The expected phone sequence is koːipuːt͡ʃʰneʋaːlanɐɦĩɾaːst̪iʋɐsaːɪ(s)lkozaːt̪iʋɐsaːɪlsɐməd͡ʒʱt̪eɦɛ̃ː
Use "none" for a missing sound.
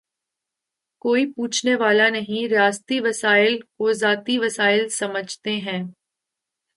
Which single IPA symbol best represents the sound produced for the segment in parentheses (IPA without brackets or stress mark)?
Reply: none